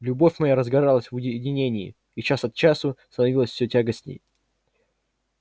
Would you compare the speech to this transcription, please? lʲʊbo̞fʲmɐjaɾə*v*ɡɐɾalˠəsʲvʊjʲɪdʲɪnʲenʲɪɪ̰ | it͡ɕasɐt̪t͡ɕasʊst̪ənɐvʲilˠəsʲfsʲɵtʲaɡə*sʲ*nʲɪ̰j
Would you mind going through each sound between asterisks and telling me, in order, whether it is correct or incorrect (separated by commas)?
incorrect, correct